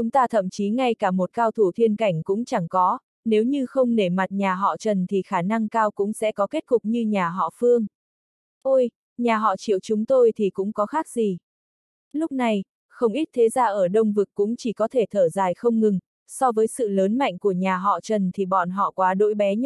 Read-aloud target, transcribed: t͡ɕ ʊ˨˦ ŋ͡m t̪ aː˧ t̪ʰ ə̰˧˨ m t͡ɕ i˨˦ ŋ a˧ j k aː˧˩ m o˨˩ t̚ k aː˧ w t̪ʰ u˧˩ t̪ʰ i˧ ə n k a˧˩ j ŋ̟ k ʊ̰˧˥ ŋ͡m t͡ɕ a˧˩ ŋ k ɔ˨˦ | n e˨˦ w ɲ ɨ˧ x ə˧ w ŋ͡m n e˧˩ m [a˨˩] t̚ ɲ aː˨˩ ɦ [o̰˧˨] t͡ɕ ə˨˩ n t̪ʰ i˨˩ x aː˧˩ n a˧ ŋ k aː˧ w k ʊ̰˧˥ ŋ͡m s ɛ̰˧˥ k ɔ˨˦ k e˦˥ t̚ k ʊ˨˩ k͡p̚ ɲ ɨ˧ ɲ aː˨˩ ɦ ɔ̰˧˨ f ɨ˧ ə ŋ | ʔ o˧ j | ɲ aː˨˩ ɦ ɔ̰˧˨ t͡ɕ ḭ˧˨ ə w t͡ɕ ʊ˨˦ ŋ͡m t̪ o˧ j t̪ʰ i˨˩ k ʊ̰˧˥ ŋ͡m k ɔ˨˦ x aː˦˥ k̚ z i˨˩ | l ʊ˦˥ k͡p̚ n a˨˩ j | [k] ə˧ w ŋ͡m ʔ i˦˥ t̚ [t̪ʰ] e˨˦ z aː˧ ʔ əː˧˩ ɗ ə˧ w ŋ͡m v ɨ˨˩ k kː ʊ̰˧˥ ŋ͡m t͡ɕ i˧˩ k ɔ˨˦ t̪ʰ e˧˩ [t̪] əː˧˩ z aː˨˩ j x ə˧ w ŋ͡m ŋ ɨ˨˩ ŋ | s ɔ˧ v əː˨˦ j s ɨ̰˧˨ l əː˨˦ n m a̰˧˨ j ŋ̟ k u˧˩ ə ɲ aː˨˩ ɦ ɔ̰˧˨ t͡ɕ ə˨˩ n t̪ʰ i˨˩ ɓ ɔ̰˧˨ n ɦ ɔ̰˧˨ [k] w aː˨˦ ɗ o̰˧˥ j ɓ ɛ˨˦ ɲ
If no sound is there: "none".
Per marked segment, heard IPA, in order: a˨˩, ɔ̰˧˨, x, t̪ʰ, t̪ʰ, k

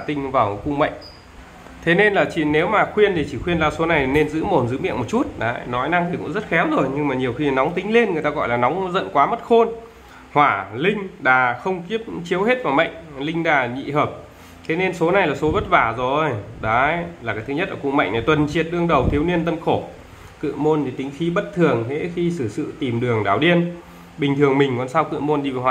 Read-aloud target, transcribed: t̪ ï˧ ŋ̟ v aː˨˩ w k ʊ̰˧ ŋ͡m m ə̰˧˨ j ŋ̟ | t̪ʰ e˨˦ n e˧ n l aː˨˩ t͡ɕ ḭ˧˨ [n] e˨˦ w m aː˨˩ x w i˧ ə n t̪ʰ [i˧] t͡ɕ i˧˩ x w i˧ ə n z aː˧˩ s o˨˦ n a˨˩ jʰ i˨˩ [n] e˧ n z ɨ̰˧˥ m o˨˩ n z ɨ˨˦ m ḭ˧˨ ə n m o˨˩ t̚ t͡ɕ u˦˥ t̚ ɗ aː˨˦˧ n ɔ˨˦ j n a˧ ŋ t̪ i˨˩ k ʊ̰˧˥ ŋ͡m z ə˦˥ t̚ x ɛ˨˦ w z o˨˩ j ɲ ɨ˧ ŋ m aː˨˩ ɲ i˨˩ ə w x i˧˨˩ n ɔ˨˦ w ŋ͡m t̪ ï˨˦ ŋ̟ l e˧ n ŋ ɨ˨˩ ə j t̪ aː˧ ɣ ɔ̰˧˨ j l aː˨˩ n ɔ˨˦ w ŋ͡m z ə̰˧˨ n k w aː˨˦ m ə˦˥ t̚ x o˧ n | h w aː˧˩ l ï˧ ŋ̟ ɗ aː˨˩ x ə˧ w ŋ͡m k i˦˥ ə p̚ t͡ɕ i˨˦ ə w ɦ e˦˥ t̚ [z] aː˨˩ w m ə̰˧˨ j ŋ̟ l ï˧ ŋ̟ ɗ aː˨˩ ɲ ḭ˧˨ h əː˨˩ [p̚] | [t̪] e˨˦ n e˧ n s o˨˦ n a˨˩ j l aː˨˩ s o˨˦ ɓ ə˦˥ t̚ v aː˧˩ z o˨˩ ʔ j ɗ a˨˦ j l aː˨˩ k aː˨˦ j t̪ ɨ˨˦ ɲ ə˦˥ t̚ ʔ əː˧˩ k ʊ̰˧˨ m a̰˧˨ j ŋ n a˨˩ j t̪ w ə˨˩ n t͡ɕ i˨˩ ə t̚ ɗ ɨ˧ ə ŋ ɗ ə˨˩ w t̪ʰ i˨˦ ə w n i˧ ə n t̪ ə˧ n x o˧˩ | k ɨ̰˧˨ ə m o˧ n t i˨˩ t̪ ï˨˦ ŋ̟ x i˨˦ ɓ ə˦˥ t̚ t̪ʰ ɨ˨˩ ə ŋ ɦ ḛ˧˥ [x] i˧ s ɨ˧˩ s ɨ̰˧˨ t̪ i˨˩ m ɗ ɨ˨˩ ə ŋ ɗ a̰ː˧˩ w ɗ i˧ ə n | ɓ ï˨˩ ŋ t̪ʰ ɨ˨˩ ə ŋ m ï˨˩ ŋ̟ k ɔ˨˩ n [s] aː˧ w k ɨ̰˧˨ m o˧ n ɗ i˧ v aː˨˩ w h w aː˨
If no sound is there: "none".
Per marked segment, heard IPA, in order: n, i˨˩, n, v, p̚, t̪ʰ, x, s

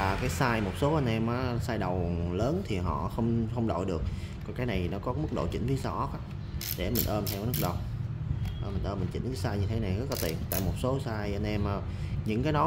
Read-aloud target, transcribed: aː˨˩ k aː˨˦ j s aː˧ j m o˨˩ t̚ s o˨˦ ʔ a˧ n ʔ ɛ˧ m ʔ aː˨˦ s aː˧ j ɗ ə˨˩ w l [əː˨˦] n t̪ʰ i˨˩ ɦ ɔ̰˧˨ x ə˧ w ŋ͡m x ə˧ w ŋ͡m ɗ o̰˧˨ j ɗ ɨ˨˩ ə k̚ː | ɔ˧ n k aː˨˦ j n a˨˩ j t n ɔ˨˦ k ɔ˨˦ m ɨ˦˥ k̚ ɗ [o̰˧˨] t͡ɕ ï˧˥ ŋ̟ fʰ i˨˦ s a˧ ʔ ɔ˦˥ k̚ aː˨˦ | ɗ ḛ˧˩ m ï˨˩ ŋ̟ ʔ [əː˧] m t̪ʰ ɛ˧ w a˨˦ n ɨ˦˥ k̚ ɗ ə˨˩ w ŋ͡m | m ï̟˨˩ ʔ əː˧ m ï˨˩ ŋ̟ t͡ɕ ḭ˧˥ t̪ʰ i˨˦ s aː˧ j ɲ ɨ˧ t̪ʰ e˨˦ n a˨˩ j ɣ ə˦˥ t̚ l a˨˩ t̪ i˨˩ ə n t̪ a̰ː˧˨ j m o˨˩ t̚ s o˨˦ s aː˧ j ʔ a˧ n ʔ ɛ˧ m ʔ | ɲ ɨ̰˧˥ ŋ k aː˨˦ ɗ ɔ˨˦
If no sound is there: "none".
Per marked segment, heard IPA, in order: əː˨˦, o̰˧˨, əː˧

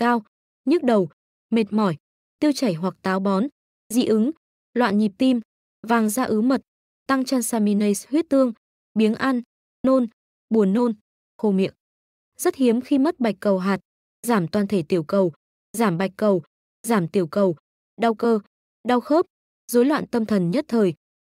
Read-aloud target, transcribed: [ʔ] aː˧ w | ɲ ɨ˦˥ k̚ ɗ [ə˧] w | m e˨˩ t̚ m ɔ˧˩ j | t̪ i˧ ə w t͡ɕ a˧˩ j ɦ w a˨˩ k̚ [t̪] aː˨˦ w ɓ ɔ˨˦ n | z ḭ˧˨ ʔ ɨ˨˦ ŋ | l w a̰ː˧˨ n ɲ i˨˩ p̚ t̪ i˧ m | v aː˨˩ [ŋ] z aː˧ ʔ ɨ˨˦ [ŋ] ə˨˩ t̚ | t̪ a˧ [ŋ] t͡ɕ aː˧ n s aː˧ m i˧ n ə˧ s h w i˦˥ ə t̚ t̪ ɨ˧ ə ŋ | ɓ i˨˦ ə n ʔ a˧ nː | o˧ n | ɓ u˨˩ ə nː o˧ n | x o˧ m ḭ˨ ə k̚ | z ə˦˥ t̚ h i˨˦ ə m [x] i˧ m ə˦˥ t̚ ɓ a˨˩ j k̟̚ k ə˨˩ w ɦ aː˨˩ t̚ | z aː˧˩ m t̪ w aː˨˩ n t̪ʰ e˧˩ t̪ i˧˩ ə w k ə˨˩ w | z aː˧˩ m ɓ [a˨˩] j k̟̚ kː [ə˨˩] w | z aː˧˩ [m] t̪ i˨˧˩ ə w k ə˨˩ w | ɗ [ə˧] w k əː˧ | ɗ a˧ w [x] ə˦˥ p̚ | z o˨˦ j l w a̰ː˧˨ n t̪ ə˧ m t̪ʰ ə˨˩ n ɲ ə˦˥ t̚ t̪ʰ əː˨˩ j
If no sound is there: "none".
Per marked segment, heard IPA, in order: k, ə˨˩, t̪, ŋ, m, ŋ, x, a˨˩, ə˨˩, m, a˧, x

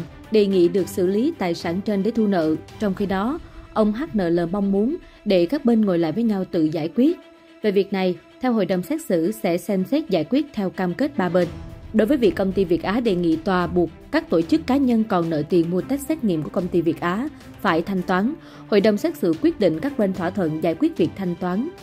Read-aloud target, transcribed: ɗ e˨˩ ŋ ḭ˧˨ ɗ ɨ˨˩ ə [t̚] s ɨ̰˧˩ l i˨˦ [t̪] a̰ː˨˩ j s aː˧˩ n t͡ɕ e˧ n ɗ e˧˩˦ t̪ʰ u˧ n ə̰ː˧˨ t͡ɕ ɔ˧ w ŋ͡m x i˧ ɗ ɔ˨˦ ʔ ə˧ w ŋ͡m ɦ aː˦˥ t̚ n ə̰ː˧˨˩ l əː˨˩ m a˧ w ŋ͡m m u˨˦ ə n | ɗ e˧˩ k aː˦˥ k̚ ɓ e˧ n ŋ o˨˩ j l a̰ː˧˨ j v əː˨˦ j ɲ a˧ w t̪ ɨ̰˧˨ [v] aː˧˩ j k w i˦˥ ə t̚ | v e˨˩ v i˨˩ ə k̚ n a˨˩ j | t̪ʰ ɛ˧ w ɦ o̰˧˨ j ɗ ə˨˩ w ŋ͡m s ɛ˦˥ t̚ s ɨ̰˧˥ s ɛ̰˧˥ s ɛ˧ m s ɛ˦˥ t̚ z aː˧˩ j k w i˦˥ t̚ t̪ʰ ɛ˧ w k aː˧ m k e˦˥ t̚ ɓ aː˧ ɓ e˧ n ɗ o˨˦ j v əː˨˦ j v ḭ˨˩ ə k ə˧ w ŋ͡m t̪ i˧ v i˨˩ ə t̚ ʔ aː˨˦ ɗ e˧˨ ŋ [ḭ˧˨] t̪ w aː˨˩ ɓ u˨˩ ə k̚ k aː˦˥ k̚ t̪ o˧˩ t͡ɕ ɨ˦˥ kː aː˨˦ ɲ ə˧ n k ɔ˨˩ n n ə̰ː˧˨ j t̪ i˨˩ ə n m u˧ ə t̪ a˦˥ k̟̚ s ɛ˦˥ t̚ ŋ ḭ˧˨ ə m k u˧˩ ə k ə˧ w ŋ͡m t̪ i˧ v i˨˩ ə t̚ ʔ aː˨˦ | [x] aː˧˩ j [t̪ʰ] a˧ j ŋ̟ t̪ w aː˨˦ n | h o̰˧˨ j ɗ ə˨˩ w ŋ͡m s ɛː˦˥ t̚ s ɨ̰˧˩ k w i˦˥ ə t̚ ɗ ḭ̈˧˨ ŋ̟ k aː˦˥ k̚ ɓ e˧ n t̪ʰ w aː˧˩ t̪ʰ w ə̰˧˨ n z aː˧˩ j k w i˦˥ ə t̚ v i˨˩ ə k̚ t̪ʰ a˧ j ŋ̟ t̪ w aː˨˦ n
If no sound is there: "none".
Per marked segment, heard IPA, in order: k̚, t̪, z, ḭ˧˨, f, t̪ʰ

